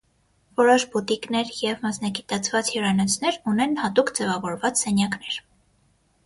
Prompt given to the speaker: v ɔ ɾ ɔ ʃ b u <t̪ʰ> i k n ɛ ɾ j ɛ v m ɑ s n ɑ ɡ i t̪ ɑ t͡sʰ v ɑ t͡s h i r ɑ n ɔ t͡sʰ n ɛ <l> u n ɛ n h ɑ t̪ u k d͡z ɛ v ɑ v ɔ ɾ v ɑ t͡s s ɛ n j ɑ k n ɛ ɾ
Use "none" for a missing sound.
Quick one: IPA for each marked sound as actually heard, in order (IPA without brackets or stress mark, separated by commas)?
t̪, ɾ